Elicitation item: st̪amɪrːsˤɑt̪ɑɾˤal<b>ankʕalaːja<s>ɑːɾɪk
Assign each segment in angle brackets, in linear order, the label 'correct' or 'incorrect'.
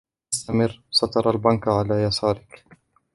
correct, correct

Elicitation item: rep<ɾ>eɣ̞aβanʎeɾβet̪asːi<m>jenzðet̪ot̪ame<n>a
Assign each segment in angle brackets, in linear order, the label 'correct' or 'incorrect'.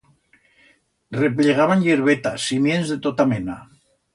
incorrect: l, correct, correct

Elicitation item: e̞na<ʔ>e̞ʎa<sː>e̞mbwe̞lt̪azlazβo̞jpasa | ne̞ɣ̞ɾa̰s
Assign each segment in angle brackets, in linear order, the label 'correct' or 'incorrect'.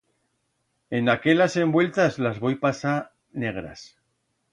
incorrect: k, incorrect: s

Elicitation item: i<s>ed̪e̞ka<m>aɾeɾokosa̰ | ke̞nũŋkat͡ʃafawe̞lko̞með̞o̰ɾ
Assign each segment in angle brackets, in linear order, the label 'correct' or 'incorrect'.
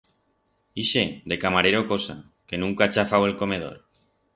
incorrect: ʃ, correct

